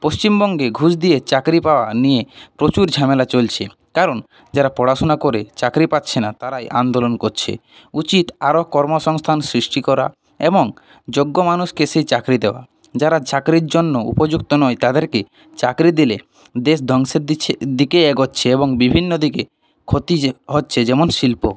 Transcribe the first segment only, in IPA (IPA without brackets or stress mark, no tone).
p